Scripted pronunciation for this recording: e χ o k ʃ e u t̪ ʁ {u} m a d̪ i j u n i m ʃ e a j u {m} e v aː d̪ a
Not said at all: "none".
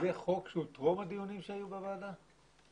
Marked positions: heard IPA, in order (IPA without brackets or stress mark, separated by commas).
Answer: o, b